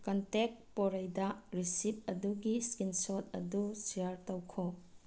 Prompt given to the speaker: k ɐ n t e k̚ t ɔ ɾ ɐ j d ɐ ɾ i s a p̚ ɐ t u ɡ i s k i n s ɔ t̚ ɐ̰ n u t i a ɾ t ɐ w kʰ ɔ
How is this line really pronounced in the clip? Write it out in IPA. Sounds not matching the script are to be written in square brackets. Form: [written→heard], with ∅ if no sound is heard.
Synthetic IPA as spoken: k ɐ n t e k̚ [t→p] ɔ ɾ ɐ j d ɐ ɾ i s [a→i] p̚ ɐ [t→d] u ɡ i s k i n s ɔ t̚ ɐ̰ [n→d] u [t→s] i a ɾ t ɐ w kʰ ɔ